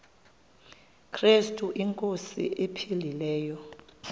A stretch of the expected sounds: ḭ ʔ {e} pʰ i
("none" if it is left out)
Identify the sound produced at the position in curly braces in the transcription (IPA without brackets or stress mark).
e